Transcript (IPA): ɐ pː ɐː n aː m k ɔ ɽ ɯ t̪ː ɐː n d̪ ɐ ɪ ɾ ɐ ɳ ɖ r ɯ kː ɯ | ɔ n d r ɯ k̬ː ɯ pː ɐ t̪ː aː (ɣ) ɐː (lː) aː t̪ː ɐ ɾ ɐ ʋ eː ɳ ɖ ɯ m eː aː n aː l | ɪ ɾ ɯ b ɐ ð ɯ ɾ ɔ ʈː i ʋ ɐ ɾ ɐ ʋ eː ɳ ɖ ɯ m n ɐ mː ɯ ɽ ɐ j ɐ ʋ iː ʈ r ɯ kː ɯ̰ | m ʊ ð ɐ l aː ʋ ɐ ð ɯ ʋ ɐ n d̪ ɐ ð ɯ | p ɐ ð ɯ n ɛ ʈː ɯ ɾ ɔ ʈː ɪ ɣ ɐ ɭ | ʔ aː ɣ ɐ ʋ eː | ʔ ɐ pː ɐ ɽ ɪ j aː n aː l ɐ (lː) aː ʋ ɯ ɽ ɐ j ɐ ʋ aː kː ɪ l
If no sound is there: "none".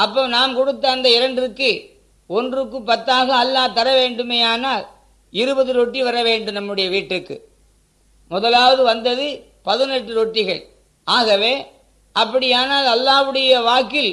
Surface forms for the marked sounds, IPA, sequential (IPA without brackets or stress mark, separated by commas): ɣ, lː, lː